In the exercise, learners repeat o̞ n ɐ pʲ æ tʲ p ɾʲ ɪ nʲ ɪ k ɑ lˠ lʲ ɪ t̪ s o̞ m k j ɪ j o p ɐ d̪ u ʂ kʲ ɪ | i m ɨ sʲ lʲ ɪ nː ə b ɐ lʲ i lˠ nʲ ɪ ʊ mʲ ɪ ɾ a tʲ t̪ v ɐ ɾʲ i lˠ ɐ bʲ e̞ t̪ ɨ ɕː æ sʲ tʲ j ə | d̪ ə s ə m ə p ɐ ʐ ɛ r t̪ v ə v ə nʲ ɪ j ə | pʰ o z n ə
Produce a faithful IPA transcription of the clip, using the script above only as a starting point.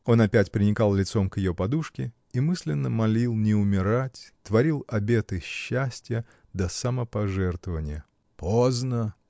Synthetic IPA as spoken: o̞ n ɐ pʲ æ tʲ p ɾʲ ɪ nʲ ɪ k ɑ lˠ lʲ ɪ t̪ s o̞ m k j ɪ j o p ɐ d̪ u ʂ kʲ ɪ | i m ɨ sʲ lʲ ɪ nː ə m ɐ lʲ i lˠ nʲ ɪ ʊ mʲ ɪ ɾ a tʲ t̪ v ɐ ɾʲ i lˠ ɐ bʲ e̞ t̪ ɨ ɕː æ sʲ tʲ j ə | d̪ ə s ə m ə p ɐ ʐ ɛ r t̪ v ə v ə nʲ ɪ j ə | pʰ o z n ə

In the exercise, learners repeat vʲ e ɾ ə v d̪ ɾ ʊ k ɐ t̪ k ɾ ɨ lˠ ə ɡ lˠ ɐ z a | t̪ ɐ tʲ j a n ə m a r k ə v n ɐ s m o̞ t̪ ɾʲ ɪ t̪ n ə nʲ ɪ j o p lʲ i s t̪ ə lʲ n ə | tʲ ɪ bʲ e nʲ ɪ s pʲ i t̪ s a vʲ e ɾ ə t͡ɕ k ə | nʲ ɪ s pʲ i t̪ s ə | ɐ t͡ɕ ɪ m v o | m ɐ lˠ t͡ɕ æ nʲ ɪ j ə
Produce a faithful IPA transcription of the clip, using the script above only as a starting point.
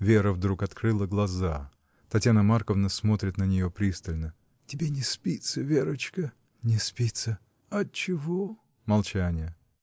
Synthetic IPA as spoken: vʲ e ɾ ə v d̪ ɾ u k ɐ t̪ k ɾ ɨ lˠ ə ɡ lˠ ɐ z a | t̪ ɐ tʲ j a n ə m a r k ə v n ə s m o̞ t̪ ɾʲ ɪ t̪ n ə nʲ ɪ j o p ɾʲ i s t̪ ə lʲ n ə | tʲ ɪ bʲ e nʲ ɪ s pʲ i t̪ s ə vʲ e ɾ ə t͡ɕ k ə | nʲ ɪ s pʲ i t̪ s ə | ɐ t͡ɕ ɪ v o | m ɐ lˠ t͡ɕ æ nʲ ɪ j ə

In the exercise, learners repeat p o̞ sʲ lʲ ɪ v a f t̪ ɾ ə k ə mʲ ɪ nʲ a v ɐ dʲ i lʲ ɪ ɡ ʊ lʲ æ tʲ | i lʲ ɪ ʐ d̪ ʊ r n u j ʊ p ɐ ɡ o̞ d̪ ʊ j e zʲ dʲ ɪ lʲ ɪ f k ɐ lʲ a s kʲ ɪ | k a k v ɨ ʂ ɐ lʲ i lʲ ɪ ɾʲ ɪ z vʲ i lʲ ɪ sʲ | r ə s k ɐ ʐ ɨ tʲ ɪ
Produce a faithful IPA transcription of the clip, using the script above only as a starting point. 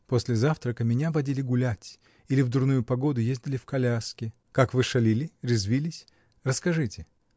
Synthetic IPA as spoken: p o̞ sʲ lʲ ɪ z a f t̪ ɾ ə k ə mʲ ɪ nʲ a v ɐ dʲ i lʲ ɪ ɡ ʊ lʲ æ tʲ | i lʲ ɪ v d̪ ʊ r n u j ʊ p ɐ ɡ o̞ d̪ ʊ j e zʲ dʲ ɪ lʲ ɪ f k ɐ lʲ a s kʲ ɪ | k a k v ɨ ʂ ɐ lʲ i lʲ ɪ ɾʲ ɪ z vʲ i lʲ ɪ sʲ | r ə s k ɐ ʐ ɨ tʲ ɪ

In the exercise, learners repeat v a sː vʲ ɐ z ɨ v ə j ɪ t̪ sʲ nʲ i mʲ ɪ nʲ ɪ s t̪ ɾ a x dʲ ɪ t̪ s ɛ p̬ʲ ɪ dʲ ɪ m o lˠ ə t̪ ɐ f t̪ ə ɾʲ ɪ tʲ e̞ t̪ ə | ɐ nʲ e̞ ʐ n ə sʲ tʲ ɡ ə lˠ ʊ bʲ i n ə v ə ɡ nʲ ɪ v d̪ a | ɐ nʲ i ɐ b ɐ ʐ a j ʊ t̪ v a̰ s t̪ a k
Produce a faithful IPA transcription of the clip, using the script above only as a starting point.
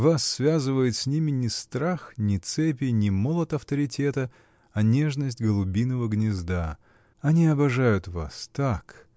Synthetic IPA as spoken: v a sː vʲ a z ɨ v ə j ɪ t̪ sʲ nʲ i mʲ ɪ nʲ ɪ s t̪ ɾ a x nʲ ɪ t̪ s ɛ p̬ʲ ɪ nʲ ɪ m o lˠ ə t̪ ɐ f t̪ ə ɾʲ ɪ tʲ e̞ t̪ ə | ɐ nʲ e̞ ʐ n ə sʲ tʲ ɡ ə lˠ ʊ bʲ i n ə v ə ɡ nʲ ɪ z d̪ a | ɐ nʲ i ɐ b ɐ ʐ a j ʊ t̪ v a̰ s t̪ a k

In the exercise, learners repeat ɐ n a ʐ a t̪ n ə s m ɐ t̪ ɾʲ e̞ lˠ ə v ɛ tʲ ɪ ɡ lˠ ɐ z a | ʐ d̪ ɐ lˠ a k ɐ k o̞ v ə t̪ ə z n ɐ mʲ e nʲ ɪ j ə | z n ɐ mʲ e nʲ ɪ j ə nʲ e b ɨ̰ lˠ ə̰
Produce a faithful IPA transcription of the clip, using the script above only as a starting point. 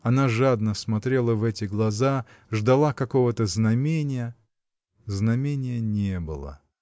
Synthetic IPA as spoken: ɐ n a ʐ a d̪ n ə s m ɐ t̪ ɾʲ e̞ lˠ ə v ɛ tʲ ɪ ɡ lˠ ɐ z a | ʐ d̪ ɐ lˠ a k ɐ k o̞ v ə t̪ ə z n ɐ mʲ e nʲ ɪ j ə | z n ɐ mʲ e nʲ ɪ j ə nʲ e b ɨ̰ lˠ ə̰

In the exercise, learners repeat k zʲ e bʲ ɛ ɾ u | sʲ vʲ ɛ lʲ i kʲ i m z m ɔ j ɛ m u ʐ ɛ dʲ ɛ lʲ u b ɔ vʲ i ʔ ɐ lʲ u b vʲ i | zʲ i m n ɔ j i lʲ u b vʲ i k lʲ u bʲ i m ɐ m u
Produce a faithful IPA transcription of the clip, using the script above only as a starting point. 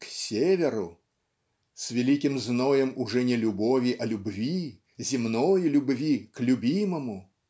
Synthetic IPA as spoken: k sʲ e vʲ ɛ ɾ u | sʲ vʲ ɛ lʲ i kʲ i m z n ɔ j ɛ m u ʐ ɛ nʲ ɛ lʲ u b ɔ vʲ i ʔ ɐ lʲ u b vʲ i | zʲ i m n ɔ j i lʲ u b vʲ i k lʲ u bʲ i m ɐ m u

